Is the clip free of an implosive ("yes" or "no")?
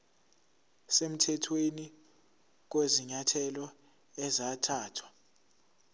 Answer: yes